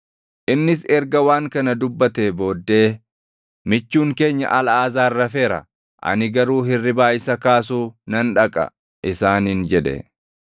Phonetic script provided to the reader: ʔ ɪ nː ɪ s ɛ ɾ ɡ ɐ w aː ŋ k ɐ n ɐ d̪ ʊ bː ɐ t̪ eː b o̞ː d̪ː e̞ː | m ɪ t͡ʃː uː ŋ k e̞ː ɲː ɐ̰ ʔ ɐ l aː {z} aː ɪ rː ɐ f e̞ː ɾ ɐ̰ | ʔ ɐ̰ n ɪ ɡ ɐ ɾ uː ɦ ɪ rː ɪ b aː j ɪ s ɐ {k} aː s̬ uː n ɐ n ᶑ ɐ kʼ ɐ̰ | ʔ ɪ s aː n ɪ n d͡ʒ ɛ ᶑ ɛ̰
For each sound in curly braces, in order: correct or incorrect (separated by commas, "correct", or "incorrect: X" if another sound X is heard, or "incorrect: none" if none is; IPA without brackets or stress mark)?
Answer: correct, correct